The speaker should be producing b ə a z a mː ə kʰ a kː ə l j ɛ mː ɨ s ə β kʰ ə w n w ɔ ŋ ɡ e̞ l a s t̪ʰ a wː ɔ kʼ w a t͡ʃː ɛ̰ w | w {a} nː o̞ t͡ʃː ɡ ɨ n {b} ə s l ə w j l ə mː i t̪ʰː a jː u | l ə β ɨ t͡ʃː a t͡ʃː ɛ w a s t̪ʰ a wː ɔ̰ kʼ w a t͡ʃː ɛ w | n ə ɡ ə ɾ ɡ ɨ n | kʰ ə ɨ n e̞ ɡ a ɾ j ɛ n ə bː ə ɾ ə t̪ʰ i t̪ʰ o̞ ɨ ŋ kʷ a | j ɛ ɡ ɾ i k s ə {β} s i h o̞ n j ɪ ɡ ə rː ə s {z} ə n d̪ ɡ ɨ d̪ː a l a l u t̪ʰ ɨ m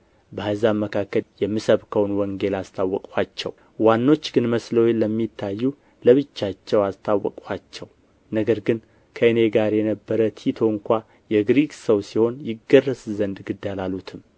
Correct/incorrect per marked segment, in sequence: correct, incorrect, incorrect, correct

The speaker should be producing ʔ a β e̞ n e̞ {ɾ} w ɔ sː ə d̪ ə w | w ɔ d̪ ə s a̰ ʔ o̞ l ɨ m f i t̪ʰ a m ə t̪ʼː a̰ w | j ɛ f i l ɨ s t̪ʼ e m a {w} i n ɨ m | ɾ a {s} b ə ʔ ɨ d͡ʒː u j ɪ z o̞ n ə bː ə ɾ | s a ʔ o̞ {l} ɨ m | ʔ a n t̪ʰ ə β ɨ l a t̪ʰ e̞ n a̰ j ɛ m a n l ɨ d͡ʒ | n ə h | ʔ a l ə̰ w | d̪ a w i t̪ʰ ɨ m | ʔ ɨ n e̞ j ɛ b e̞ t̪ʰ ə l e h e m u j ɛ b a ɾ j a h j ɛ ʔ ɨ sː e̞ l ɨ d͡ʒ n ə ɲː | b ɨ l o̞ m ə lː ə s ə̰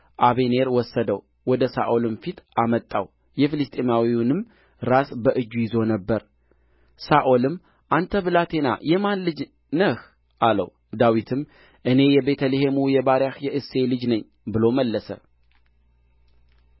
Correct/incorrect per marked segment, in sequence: correct, correct, correct, correct

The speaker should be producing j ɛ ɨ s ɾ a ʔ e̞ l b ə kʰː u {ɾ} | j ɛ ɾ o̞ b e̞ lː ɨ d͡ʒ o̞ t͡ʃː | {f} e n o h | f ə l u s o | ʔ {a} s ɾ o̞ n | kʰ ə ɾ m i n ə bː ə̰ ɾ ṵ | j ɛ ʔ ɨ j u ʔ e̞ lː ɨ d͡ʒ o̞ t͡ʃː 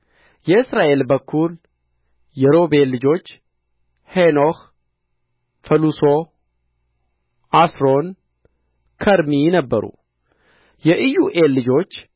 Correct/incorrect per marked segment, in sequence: incorrect, incorrect, correct

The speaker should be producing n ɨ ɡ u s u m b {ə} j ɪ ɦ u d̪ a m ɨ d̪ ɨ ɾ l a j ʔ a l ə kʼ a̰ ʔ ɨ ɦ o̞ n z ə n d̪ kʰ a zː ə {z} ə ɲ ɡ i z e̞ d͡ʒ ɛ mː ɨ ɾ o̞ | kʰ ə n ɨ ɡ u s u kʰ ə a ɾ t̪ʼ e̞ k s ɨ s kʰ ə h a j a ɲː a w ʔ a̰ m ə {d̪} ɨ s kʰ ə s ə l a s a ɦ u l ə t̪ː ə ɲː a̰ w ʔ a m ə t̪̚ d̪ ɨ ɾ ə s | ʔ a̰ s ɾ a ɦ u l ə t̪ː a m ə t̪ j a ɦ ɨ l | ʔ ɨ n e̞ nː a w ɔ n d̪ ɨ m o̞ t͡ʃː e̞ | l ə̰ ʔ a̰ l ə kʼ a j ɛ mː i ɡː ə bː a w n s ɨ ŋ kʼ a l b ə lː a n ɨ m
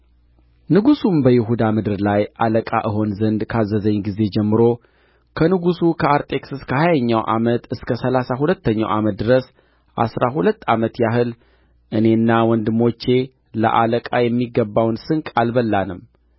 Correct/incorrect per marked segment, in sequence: correct, correct, incorrect

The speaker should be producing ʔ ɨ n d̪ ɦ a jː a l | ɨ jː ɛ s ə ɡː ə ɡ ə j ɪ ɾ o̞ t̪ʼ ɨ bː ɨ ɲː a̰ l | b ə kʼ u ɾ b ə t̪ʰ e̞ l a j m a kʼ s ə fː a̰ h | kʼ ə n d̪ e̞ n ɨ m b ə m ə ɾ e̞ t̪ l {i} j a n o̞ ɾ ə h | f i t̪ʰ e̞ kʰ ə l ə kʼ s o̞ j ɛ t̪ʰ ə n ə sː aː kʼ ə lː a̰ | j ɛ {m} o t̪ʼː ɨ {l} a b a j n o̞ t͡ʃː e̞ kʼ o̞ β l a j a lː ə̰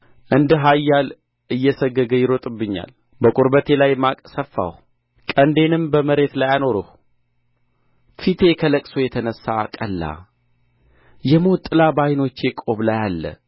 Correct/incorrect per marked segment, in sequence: incorrect, correct, correct

